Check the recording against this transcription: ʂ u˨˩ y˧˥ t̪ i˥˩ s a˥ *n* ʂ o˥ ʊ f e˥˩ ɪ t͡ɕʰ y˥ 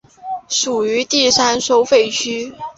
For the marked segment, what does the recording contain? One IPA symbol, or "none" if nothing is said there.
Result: n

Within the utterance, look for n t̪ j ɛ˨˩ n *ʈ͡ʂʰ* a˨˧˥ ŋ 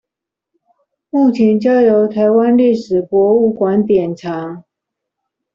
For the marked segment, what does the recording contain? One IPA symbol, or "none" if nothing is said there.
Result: ʈ͡ʂʰ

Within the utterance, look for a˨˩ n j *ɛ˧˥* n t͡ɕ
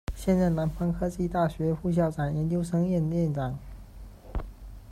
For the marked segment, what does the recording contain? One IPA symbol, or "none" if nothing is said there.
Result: ɛ˧˥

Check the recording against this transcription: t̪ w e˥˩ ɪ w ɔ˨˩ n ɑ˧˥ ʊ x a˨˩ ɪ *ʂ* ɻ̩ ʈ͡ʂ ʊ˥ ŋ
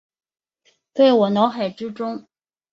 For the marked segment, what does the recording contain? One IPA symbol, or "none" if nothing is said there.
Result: ʈ͡ʂ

